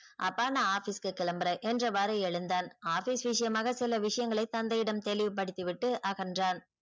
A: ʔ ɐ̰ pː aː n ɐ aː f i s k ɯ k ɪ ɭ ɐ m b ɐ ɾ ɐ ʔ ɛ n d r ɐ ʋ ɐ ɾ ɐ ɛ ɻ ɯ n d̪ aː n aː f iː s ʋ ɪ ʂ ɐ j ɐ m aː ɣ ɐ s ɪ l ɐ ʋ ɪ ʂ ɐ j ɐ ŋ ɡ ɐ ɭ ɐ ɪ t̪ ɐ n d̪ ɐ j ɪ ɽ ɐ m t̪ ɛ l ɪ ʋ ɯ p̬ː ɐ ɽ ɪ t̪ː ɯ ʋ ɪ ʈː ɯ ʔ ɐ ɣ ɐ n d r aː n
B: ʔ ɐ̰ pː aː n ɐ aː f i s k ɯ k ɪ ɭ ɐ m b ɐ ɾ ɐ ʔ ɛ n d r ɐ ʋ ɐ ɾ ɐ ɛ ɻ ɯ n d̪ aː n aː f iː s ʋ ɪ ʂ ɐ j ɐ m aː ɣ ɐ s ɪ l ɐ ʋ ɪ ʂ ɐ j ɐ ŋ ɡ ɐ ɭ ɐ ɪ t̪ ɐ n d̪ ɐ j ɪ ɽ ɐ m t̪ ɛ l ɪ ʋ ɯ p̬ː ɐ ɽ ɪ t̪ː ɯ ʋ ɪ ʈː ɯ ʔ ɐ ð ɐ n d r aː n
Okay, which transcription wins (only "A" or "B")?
A